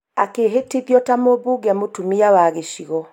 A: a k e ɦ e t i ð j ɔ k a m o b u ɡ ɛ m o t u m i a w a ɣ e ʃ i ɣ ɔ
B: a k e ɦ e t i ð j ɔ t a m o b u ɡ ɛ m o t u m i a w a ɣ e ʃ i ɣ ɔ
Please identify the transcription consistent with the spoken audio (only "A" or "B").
B